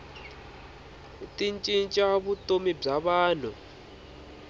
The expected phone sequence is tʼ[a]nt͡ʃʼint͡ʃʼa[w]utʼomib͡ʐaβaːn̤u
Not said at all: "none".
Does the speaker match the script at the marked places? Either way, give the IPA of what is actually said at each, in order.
i, β

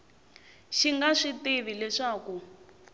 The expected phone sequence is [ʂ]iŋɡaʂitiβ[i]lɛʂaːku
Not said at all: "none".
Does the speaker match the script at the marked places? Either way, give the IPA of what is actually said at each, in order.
ʃ, i

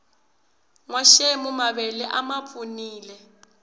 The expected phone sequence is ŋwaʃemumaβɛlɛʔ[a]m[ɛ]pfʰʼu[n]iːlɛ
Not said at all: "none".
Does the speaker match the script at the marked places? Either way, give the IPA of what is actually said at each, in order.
a, a, n

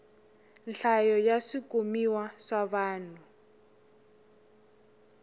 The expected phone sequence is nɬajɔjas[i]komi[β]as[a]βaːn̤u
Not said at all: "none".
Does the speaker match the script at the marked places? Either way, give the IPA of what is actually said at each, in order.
i, w, a

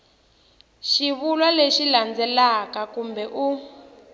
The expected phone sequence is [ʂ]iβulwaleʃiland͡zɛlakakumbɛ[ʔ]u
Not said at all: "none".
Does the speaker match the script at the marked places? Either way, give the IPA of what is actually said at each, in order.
ʃ, ʔ

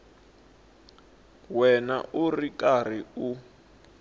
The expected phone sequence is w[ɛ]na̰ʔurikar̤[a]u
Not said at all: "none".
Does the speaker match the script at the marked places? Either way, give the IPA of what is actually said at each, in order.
ɛ, i

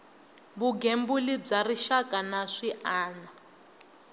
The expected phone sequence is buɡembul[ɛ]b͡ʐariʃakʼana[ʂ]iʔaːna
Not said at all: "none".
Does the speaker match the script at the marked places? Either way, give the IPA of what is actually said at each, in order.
i, ʂ

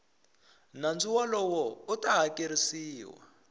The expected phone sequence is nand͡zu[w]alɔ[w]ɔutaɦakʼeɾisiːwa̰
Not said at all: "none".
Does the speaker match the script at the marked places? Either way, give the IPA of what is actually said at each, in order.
w, w

